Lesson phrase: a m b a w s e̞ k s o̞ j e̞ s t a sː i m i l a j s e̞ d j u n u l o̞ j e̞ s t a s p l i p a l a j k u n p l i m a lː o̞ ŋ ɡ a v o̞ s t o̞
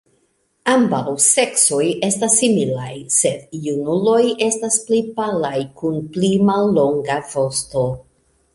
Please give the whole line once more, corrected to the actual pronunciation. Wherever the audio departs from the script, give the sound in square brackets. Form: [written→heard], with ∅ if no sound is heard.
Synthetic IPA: a m b a w s e̞ k s o̞ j e̞ s t a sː i m i l a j s e̞ d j u n u l o̞ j e̞ s t a s p l i p a l a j k u n p l i m a lː o̞ ŋ ɡ a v o̞ s t o̞